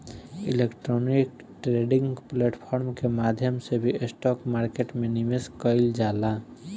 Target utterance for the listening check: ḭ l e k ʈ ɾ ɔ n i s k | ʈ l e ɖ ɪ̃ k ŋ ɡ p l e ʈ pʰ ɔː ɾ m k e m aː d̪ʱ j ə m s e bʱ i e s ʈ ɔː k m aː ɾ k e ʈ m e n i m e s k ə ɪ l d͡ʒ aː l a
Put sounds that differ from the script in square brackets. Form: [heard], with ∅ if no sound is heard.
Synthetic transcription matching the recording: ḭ l e k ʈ ɾ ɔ n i [∅] k | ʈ [ɾ] e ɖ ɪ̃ [∅] ŋ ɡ p l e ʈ pʰ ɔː ɾ m k e m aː d̪ʱ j ə m s e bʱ i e s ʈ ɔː k m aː ɾ k e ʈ m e n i m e s k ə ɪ l d͡ʒ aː l a

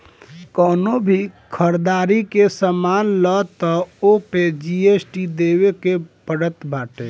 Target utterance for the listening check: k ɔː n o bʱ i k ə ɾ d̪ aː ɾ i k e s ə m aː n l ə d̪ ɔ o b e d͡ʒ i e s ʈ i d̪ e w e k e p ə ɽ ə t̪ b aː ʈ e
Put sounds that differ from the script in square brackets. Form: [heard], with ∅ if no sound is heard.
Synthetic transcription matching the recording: k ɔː n o bʱ i [kʰ] ə ɾ d̪ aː ɾ i k e s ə m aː n l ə [t̪] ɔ o [p] e d͡ʒ i e s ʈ i d̪ e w e k e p ə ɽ ə t̪ b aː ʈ e

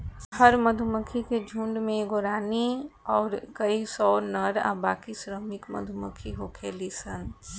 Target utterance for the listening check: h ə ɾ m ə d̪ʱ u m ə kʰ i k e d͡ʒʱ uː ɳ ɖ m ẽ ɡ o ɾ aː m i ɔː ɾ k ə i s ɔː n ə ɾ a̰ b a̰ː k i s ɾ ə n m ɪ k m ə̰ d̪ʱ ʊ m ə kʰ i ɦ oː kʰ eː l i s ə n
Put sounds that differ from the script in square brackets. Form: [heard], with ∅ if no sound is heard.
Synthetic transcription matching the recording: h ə ɾ m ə d̪ʱ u m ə kʰ i k e d͡ʒʱ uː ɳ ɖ m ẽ ɡ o ɾ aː [n] i ɔː ɾ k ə i s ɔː n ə ɾ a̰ b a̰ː k i s ɾ ə [∅] m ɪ k m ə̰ d̪ʱ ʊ m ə kʰ i ɦ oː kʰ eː l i s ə n

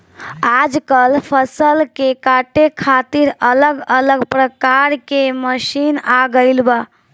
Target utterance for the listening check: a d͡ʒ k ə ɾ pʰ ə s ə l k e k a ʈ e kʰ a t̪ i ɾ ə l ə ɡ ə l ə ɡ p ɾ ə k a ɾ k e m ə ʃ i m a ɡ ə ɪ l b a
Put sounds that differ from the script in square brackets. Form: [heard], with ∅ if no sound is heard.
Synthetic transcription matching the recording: a d͡ʒ k ə [l] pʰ ə s ə l k e k a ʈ e kʰ a t̪ i ɾ ə l ə ɡ ə l ə ɡ p ɾ ə k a ɾ k e m ə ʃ i [n] a ɡ ə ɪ l b a

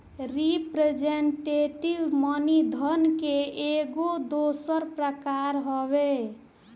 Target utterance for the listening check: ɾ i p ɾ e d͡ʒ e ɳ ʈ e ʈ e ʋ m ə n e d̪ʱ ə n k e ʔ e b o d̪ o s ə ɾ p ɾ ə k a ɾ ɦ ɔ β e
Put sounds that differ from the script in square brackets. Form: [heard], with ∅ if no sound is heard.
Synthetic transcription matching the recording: ɾ i p ɾ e d͡ʒ e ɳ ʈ e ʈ [i] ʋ m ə n [i] d̪ʱ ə n k e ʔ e [ɡ] o d̪ o s ə ɾ p ɾ ə k a ɾ ɦ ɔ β e

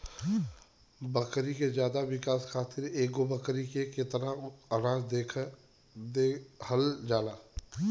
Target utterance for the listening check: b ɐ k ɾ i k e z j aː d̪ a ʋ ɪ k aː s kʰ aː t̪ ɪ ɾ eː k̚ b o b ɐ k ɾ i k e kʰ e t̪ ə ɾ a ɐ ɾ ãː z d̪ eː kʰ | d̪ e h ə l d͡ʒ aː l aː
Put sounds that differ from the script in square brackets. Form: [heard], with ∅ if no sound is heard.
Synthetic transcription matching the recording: b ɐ k ɾ i k e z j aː d̪ a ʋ ɪ k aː s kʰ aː t̪ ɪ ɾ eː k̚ [ɡ] o b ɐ k ɾ i k e [k] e t̪ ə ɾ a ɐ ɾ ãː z d̪ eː kʰ | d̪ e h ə l d͡ʒ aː l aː

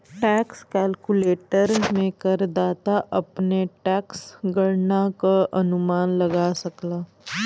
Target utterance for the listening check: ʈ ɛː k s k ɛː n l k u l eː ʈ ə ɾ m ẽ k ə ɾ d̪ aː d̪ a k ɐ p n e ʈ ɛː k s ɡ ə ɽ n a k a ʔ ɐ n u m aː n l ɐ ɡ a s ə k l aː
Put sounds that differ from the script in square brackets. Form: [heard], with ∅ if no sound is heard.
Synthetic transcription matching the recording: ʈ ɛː k s k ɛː [∅] l k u l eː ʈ ə ɾ m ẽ k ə ɾ d̪ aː [t̪] a [ʔ] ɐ p n e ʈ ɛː k s ɡ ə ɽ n a k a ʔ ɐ n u m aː n l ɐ ɡ a s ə k l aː

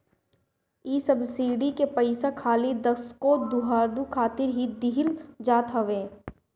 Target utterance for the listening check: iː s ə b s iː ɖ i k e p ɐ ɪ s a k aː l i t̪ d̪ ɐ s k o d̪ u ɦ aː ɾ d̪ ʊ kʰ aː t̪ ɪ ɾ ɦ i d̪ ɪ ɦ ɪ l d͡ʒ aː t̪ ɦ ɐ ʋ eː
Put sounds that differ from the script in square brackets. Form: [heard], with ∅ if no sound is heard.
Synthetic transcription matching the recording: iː s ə b s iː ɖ i k e p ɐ ɪ s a [kʰ] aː l i [∅] d̪ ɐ s k o d̪ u ɦ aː ɾ d̪ [u] kʰ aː t̪ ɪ ɾ ɦ i d̪ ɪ ɦ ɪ l d͡ʒ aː t̪ ɦ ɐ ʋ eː

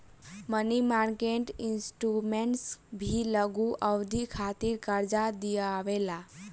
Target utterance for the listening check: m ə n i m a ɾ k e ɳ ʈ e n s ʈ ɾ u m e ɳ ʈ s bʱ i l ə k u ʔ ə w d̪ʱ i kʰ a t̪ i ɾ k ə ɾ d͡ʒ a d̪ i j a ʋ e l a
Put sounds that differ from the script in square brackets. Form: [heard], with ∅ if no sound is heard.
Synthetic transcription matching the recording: m ə n i m a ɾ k e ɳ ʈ [i] n s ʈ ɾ u m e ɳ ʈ s bʱ i l ə [ɡ] u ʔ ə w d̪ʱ i kʰ a t̪ i ɾ k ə ɾ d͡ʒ a d̪ i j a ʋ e l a

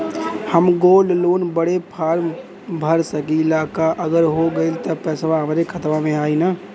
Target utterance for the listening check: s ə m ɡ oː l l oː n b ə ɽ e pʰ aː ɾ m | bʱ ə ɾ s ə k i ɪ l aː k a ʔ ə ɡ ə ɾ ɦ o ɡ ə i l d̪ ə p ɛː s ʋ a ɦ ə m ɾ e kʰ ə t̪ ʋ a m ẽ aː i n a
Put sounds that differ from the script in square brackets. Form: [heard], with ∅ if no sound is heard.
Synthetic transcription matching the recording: [h] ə m ɡ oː l l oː n b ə ɽ e pʰ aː ɾ m | bʱ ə ɾ s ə k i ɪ l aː k a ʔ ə ɡ ə ɾ ɦ o ɡ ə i l [t̪] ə p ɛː s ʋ a ɦ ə m ɾ e kʰ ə t̪ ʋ a m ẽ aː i n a

